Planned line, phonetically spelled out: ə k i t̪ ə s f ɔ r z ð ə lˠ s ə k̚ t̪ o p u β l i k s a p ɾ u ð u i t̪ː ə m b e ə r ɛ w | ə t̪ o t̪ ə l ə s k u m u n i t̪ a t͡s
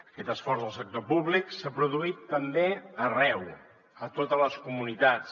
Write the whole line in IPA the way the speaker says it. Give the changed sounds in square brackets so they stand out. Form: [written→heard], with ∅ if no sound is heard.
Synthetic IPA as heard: ə k [i→ɛ] t̪ ə s f ɔ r z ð ə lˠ s ə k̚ t̪ o p u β l i k s a p ɾ u ð u i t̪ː ə m b e ə r ɛ w | ə t̪ o t̪ ə l ə s k u m u n i t̪ a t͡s